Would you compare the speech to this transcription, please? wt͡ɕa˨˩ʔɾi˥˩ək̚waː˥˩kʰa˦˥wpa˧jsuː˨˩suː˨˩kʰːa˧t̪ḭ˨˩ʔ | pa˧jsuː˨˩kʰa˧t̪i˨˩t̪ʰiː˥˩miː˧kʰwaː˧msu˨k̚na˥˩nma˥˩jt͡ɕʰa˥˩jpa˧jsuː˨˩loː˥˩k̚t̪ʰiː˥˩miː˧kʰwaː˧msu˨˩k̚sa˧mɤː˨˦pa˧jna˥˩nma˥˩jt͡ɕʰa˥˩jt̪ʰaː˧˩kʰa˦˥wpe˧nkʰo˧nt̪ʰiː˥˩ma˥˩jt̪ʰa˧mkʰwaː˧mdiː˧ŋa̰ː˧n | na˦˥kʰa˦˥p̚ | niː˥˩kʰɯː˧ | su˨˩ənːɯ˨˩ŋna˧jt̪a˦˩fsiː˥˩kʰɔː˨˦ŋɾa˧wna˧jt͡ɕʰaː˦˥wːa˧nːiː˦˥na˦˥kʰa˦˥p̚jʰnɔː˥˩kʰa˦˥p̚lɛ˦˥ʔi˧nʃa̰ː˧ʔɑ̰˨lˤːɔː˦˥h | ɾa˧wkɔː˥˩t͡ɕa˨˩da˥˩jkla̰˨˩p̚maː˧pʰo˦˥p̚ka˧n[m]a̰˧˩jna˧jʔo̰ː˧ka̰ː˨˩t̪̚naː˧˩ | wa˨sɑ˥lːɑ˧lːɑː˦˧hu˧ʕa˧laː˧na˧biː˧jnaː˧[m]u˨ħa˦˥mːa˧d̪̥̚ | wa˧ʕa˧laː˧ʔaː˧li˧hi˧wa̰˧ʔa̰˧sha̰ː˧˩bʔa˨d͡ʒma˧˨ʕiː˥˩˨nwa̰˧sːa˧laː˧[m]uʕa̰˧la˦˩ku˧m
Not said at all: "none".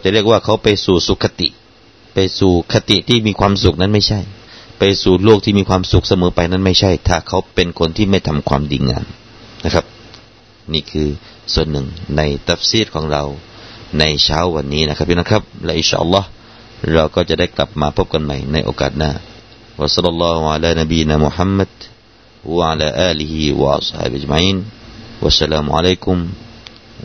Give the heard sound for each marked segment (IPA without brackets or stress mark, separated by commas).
m, m, m